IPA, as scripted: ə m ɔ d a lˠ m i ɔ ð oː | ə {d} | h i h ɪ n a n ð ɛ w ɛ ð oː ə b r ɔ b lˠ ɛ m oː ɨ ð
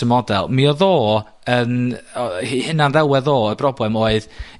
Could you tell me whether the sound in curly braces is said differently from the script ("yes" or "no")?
yes